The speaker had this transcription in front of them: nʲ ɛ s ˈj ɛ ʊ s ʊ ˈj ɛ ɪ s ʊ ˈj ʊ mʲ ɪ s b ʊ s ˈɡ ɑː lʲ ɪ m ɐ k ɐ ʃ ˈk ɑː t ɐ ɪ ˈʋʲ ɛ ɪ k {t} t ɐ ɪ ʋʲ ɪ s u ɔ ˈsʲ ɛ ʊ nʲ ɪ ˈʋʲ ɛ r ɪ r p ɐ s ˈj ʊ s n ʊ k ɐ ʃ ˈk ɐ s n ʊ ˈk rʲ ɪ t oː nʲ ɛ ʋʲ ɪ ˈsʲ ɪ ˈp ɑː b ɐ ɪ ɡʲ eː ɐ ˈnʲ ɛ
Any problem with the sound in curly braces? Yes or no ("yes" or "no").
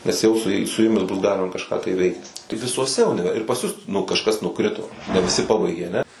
no